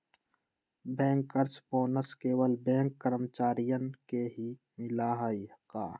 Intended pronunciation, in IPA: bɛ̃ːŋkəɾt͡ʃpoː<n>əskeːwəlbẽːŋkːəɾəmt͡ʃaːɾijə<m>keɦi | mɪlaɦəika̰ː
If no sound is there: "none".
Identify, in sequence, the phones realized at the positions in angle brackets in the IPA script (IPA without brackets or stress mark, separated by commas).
n, n